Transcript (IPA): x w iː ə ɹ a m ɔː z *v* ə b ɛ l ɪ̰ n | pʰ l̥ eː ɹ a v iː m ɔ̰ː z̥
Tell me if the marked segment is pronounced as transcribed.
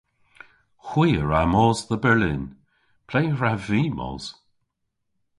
no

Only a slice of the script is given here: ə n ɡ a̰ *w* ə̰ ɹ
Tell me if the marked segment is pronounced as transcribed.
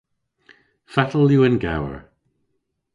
yes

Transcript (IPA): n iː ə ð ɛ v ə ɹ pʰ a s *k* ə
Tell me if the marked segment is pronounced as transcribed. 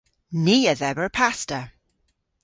no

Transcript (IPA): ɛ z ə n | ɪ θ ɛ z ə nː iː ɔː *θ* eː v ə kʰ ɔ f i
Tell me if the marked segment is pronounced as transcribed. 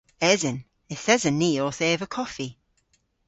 yes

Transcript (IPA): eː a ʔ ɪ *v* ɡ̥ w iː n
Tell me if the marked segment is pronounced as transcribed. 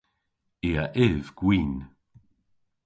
yes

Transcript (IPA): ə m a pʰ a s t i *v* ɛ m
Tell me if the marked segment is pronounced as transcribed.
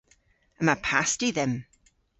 no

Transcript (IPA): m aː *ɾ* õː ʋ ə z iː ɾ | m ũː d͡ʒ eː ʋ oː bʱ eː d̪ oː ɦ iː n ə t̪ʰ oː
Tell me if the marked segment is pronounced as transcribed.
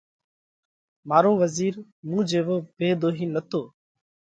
yes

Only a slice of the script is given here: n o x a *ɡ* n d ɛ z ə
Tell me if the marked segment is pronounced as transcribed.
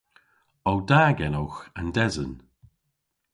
no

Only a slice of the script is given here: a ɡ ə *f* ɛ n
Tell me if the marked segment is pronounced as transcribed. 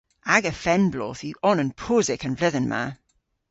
yes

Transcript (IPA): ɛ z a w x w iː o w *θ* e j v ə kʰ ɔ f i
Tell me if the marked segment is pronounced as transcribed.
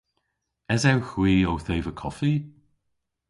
yes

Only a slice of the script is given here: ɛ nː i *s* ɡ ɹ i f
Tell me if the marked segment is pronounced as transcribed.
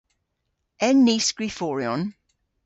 yes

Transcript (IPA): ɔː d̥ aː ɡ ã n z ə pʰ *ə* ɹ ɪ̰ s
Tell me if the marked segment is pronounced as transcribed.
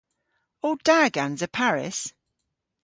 no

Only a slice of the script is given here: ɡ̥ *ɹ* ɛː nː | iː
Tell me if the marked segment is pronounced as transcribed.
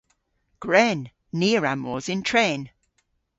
yes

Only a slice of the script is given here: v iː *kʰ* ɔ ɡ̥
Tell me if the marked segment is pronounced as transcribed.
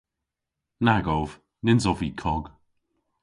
yes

